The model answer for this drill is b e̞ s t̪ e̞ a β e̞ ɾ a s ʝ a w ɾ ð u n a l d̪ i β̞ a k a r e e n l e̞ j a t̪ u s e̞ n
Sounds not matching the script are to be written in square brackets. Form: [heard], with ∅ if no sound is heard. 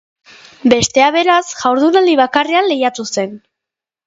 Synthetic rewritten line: b e̞ s t̪ e̞ a β e̞ ɾ a s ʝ a w ɾ ð u n a l d̪ i β̞ a k a r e [a] n l e̞ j a t̪ u s e̞ n